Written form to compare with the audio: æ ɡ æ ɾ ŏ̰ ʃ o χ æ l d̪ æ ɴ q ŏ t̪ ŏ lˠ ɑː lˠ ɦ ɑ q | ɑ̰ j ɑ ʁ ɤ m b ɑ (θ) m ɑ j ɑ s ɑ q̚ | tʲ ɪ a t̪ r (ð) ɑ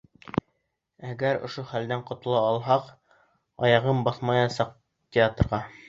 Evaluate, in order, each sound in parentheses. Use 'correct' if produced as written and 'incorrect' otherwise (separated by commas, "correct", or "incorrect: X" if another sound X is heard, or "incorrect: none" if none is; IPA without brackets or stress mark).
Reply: correct, incorrect: ʁ